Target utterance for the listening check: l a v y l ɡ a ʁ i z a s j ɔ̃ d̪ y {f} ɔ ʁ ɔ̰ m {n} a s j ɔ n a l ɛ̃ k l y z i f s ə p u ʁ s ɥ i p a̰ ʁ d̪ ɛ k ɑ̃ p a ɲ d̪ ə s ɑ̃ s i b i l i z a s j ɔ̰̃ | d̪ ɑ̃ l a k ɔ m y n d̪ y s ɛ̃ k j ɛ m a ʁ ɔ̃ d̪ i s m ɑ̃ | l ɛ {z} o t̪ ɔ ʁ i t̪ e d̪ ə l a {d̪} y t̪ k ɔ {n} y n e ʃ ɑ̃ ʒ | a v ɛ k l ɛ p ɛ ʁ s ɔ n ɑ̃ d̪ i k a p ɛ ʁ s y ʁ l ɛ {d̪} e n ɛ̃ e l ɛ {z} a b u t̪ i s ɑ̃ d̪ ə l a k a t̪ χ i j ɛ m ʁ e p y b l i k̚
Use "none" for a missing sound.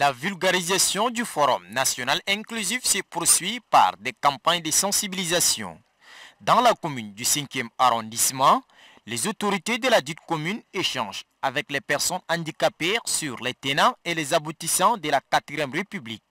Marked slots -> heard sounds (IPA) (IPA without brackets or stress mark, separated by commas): f, n, z, d̪, m, t̪, z